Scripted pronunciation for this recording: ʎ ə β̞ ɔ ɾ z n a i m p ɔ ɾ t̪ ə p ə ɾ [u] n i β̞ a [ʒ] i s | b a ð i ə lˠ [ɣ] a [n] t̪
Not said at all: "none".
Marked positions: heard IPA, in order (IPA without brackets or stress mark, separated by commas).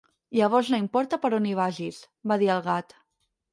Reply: o, ʒ, ɣ, none